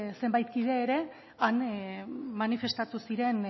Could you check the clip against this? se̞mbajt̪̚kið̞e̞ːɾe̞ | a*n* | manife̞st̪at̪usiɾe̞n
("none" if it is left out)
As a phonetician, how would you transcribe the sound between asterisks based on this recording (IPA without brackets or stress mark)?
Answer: n